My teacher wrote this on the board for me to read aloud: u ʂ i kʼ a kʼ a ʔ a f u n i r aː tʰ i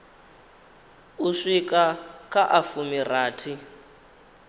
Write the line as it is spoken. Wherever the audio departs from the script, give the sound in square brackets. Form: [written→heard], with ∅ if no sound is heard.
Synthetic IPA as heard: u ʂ i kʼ a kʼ a ʔ a f u [n→m] i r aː tʰ i